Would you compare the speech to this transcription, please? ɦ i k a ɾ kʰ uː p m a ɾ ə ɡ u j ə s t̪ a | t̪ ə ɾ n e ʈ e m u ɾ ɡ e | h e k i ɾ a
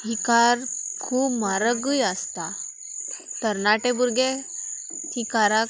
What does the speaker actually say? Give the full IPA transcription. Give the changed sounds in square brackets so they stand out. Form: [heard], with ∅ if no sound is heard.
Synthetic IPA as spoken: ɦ i k a ɾ kʰ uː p m a ɾ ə ɡ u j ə s t̪ a | t̪ ə ɾ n [a] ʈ e [b] u ɾ ɡ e | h [i] k [a] ɾ a